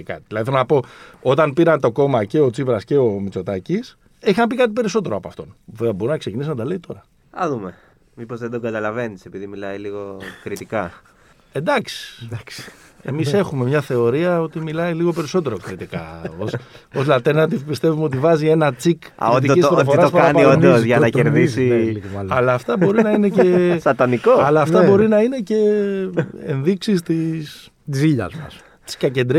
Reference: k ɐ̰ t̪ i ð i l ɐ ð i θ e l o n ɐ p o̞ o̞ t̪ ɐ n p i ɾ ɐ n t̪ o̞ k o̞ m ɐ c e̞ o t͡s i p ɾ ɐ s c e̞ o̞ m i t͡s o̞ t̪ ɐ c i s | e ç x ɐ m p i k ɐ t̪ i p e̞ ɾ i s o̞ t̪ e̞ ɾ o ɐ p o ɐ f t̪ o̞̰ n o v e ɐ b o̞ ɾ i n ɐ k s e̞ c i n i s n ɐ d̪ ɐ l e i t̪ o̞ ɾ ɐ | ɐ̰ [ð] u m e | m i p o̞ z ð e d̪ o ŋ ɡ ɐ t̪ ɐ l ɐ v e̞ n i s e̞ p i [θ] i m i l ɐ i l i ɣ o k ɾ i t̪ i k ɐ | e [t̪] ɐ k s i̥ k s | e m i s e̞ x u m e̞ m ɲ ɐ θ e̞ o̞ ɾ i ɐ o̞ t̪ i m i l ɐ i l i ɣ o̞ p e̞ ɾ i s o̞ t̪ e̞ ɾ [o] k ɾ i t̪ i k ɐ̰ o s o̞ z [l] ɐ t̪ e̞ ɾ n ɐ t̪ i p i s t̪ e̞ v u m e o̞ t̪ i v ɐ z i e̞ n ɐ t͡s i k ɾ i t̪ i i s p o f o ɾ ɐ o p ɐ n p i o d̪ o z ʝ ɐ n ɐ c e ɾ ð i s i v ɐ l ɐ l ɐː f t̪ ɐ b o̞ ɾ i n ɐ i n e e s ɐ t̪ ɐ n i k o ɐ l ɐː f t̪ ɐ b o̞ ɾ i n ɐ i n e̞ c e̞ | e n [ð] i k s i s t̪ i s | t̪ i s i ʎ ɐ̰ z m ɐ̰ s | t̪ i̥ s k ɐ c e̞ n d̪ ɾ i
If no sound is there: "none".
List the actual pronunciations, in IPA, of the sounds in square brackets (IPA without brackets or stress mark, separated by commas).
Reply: ð, ð, d̪, o, l, ð